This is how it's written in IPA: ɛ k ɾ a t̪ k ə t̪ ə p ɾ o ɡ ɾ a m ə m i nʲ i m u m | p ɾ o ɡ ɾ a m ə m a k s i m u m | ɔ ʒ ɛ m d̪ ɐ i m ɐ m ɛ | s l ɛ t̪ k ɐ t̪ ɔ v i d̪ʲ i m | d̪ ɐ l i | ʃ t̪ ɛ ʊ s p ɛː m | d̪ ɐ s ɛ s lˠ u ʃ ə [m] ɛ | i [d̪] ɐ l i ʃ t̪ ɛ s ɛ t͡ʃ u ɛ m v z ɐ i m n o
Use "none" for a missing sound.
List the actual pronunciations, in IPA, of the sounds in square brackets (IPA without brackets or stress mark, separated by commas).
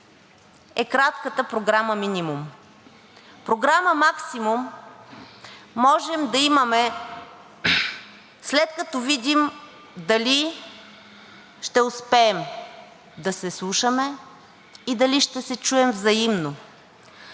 m, d̪